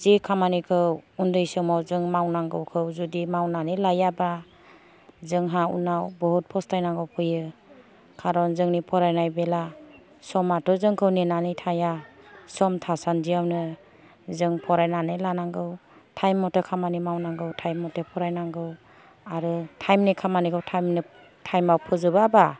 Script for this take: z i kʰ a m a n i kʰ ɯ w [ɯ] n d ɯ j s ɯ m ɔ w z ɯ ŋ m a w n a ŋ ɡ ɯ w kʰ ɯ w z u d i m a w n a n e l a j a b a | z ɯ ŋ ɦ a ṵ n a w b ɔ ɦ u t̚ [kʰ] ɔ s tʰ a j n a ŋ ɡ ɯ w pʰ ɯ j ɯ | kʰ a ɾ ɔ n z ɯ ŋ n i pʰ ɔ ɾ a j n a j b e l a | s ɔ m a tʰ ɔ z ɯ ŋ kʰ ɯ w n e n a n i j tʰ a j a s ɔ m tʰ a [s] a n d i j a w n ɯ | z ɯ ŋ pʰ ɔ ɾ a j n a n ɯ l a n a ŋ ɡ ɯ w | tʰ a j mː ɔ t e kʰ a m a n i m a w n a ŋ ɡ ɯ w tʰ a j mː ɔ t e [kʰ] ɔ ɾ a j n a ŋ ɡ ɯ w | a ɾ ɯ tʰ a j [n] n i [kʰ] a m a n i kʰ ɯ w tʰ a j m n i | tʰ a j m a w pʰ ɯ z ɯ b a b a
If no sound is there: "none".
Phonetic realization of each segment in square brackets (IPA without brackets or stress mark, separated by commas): u, pʰ, s, pʰ, m, kʰ